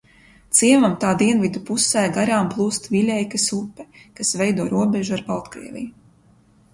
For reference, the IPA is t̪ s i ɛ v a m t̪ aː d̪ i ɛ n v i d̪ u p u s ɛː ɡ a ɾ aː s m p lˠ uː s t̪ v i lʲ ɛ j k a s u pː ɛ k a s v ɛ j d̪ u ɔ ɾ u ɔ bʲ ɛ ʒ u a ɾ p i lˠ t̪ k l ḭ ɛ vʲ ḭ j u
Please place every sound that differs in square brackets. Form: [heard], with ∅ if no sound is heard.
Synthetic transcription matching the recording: t̪ s i ɛ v a m t̪ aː d̪ i ɛ n v i d̪ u p u s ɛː ɡ a ɾ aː [∅] m p lˠ uː s t̪ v i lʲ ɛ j k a s u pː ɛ k a s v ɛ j d̪ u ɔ ɾ u ɔ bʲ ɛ ʒ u a ɾ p [a] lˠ t̪ k [ɾ] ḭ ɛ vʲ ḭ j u